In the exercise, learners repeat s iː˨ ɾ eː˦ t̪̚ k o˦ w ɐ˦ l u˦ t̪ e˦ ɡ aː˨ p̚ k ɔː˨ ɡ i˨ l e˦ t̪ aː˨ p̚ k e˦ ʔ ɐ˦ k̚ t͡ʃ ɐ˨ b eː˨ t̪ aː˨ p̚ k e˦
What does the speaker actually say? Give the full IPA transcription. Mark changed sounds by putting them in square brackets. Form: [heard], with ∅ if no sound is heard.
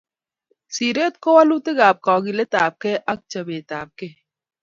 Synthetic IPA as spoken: s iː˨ ɾ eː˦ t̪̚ k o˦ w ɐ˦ l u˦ t̪ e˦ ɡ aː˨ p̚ k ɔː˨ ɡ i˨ l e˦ t̪ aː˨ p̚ k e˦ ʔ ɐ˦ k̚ t͡ʃ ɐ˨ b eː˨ t̪ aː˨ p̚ k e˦